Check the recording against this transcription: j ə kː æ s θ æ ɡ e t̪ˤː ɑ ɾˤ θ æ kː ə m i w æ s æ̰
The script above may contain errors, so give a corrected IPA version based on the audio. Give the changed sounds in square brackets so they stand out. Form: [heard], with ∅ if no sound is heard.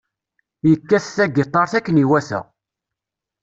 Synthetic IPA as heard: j ə kː æ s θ æ ɡ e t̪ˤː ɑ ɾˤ θ æ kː ə [n] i w æ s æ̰